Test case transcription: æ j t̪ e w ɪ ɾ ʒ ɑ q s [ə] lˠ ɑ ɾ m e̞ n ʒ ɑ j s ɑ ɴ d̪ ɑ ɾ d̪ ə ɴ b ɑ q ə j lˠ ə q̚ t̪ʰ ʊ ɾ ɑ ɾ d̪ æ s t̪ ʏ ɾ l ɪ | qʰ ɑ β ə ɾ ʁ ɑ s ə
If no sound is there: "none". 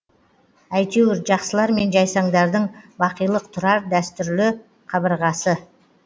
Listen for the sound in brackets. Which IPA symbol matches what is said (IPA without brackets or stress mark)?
ə